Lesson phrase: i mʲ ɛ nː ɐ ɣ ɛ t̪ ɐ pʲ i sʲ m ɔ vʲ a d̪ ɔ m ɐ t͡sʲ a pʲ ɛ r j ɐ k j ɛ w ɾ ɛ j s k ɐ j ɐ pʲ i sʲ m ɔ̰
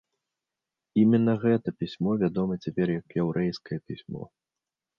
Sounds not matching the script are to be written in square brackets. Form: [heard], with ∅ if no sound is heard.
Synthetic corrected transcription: i mʲ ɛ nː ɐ ɣ ɛ t̪ ɐ pʲ i sʲ m ɔ vʲ a d̪ ɔ m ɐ t͡sʲ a pʲ ɛ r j ɐ k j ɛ w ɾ ɛ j s k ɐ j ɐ pʲ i sʲ m ɔ̰